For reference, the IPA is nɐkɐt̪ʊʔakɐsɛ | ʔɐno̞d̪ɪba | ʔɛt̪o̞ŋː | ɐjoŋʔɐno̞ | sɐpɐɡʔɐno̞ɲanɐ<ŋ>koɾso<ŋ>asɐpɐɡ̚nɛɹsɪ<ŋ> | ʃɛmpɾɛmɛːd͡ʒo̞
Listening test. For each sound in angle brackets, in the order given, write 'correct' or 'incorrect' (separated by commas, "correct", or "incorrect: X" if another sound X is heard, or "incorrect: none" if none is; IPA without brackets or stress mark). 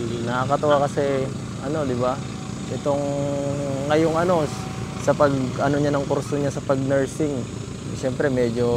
correct, incorrect: ɲ, correct